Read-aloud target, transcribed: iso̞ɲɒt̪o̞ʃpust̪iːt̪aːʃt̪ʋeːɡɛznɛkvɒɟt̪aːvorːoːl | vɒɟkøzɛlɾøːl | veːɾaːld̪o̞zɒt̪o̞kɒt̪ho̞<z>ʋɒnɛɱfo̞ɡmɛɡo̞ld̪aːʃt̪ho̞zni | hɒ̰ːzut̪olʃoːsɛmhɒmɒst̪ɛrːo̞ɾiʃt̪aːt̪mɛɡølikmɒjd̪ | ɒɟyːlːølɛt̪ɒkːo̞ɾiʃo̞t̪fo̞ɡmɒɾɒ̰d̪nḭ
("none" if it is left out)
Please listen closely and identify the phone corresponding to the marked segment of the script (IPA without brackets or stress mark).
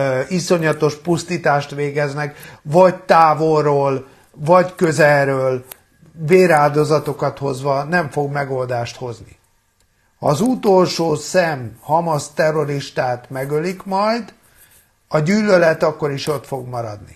z